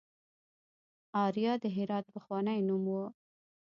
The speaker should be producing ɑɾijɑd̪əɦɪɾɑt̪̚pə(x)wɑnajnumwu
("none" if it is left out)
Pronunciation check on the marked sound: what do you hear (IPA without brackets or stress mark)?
x